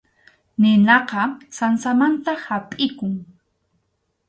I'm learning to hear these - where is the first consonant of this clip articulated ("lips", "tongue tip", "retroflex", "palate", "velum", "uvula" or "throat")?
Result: tongue tip